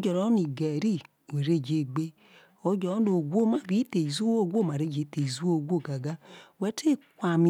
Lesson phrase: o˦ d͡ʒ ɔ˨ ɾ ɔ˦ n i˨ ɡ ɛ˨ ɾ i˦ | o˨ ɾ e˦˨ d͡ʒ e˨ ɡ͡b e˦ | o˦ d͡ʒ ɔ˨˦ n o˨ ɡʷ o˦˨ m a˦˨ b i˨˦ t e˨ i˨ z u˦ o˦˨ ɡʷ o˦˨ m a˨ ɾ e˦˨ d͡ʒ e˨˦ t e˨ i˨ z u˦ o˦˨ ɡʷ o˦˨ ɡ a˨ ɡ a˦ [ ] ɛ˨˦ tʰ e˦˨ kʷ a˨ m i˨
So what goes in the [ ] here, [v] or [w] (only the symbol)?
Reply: w